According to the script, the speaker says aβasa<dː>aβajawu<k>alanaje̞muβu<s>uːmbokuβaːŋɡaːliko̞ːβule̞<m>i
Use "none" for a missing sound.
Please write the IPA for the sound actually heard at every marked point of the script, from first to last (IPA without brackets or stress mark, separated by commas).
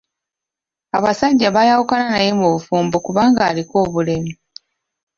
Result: ɟː, k, f, m